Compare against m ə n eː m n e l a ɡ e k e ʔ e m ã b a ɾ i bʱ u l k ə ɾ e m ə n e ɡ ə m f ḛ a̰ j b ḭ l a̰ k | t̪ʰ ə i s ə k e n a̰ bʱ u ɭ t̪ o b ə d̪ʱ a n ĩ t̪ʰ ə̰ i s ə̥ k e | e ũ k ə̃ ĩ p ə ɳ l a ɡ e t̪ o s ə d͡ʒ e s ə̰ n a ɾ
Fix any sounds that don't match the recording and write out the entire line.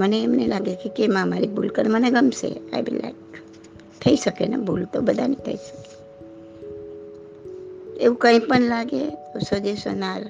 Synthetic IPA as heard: m ə n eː m n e l a ɡ e k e k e m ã m a ɾ i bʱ u l k ə ɾ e m ə n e ɡ ə m s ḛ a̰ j b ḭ l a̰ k | t̪ʰ ə i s ə k e n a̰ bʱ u l t̪ o b ə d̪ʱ a n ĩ t̪ʰ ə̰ i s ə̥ k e | e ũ k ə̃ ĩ p ə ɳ l a ɡ e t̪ o s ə d͡ʒ e s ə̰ n a ɾ